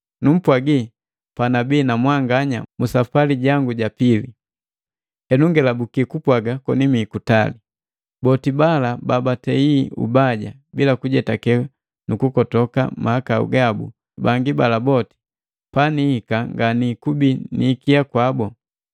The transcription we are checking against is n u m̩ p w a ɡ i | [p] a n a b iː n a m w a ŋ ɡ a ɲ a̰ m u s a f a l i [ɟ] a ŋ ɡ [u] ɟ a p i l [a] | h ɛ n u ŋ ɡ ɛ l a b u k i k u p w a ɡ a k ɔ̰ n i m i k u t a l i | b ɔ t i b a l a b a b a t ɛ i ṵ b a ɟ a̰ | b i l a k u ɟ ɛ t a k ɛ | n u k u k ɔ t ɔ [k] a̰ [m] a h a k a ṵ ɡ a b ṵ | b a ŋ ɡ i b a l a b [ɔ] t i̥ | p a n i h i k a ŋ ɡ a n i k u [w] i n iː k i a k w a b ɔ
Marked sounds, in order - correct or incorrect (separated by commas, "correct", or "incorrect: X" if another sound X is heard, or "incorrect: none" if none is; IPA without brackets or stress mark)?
correct, correct, correct, incorrect: i, correct, correct, correct, incorrect: b